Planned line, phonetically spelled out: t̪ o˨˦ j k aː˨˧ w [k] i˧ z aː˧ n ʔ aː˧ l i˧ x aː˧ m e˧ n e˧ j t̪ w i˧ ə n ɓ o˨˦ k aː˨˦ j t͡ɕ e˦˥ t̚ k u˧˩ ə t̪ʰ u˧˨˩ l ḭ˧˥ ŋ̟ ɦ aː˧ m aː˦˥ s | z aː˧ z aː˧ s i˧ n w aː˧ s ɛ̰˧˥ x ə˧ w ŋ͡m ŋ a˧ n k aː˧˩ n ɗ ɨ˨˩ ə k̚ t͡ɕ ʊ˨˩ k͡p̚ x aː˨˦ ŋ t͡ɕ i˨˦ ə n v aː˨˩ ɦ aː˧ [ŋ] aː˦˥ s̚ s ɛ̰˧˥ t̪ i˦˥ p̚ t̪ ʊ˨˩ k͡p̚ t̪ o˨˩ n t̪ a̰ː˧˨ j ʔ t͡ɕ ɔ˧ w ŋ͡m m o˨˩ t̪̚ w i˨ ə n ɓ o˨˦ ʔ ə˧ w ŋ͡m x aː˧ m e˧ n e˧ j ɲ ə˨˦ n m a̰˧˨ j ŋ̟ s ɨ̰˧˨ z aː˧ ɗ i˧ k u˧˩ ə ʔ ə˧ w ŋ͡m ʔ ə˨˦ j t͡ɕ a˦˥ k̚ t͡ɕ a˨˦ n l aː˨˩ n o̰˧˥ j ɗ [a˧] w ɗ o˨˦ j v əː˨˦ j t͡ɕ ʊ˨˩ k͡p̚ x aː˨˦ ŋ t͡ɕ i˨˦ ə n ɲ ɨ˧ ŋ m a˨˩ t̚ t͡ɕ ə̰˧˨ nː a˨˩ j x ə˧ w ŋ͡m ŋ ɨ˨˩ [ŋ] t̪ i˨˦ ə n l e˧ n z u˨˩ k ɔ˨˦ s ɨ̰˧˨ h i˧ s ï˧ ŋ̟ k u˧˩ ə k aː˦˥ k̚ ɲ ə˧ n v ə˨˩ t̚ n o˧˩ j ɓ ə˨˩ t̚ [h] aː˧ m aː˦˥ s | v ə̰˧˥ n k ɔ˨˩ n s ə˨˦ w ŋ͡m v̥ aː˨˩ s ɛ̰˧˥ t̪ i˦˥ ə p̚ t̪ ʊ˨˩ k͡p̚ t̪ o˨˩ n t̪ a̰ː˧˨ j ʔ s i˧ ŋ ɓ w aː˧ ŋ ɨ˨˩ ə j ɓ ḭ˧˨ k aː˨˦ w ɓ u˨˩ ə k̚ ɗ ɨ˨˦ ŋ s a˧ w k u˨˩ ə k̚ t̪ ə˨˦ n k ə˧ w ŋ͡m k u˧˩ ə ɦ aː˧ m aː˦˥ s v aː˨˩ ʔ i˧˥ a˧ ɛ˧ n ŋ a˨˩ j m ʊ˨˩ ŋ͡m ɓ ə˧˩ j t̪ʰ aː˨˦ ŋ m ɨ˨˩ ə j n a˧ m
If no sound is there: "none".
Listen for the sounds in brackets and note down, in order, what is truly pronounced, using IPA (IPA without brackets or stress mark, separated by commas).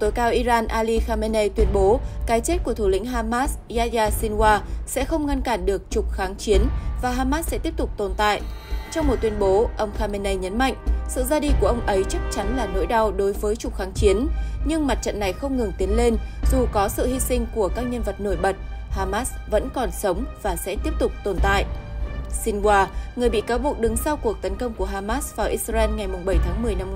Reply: ʔ, m, a˧, ŋ, h